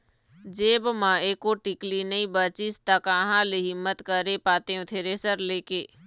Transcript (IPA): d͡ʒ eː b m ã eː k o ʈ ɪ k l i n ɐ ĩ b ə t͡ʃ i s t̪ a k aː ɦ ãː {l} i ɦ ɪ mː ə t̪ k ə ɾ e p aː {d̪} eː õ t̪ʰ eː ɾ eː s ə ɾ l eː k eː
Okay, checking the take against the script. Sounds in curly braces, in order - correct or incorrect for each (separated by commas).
correct, incorrect